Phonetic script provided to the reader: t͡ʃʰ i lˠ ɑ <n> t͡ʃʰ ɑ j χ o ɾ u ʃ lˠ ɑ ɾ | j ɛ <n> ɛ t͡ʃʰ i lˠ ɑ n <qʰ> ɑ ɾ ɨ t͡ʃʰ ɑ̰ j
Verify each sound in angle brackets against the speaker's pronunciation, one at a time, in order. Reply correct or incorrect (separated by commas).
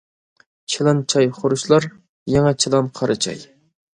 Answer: correct, incorrect, correct